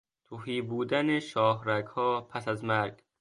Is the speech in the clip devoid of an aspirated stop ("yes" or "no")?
no